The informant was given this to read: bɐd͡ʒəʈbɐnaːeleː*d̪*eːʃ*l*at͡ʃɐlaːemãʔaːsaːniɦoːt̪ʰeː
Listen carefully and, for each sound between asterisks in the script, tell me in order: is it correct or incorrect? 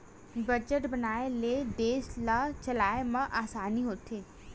correct, correct

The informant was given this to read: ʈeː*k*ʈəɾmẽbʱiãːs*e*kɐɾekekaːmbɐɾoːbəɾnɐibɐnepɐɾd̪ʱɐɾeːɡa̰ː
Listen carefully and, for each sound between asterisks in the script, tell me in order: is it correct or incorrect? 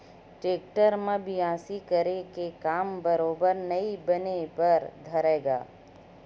correct, incorrect

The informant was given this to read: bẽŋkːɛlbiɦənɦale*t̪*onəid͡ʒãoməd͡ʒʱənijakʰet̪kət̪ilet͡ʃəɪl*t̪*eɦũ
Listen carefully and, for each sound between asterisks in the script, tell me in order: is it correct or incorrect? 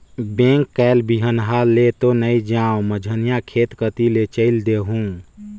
correct, incorrect

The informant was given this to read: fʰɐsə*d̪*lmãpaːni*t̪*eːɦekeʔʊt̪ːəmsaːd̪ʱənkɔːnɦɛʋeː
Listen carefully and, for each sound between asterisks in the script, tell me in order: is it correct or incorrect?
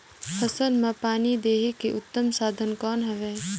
incorrect, incorrect

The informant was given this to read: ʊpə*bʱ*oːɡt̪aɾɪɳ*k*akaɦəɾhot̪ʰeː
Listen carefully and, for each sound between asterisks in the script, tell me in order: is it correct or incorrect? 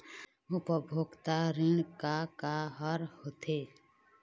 correct, correct

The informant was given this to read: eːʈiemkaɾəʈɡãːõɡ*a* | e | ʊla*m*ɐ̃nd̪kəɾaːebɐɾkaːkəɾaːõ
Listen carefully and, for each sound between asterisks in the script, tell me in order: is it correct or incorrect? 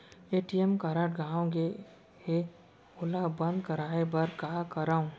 incorrect, incorrect

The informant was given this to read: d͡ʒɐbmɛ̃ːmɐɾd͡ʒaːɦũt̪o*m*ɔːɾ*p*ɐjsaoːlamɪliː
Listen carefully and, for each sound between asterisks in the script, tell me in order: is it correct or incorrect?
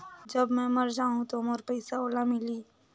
correct, correct

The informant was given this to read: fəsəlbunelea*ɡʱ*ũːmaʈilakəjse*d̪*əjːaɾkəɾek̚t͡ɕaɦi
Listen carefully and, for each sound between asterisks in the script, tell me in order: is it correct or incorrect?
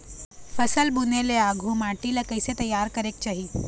correct, incorrect

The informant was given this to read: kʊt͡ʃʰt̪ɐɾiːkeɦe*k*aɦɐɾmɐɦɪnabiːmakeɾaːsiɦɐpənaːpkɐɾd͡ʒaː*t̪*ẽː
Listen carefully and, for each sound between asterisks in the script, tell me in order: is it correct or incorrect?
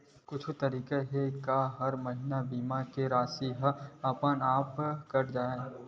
correct, incorrect

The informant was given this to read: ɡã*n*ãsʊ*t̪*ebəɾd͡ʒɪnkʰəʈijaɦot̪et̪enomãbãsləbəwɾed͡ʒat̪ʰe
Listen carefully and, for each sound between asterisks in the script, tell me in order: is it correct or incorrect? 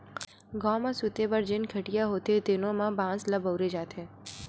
incorrect, correct

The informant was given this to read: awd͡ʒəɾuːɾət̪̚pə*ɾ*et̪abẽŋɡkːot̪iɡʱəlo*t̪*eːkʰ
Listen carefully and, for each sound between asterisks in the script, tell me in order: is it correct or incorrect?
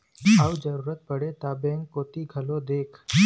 incorrect, incorrect

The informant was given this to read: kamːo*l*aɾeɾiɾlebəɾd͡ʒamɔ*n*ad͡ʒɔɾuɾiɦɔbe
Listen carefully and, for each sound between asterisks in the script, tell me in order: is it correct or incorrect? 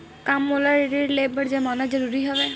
correct, correct

